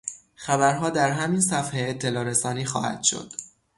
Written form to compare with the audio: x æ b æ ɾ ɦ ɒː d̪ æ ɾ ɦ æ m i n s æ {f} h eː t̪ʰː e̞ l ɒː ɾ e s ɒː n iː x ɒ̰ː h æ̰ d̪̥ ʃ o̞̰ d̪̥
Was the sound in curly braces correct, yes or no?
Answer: yes